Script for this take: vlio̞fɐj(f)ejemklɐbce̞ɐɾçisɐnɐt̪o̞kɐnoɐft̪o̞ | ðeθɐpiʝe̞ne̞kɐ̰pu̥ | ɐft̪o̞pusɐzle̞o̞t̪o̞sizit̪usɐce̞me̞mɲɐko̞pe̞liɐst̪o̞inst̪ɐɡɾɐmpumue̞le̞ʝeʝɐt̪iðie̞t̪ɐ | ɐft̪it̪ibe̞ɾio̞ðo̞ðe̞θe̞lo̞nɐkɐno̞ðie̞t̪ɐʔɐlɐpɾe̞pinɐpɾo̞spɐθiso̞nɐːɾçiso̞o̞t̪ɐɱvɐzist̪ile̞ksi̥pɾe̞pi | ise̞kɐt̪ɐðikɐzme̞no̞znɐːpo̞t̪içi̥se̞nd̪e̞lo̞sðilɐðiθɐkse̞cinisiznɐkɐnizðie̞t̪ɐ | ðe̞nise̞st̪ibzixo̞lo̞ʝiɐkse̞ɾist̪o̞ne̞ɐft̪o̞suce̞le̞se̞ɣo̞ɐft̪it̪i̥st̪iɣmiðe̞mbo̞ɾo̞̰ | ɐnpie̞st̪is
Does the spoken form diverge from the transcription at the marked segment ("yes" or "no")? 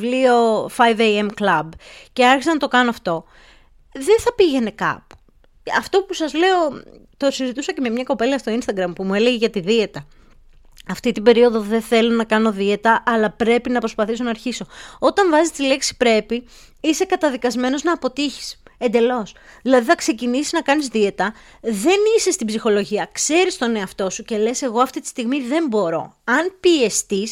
yes